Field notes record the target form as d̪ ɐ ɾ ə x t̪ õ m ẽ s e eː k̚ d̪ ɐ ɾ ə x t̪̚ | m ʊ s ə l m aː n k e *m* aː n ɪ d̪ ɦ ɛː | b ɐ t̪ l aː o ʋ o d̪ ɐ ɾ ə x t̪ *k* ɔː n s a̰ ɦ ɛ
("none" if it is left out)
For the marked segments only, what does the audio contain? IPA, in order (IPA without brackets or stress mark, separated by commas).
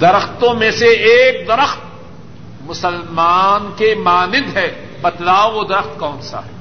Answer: m, k